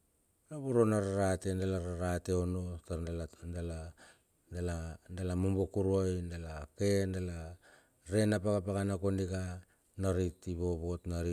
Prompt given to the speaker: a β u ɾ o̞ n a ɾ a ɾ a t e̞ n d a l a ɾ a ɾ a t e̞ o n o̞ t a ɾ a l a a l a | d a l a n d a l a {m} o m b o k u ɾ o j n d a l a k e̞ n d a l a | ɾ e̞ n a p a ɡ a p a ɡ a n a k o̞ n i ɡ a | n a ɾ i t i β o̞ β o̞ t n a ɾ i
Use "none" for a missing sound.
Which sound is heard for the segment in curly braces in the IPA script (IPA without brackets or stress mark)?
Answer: m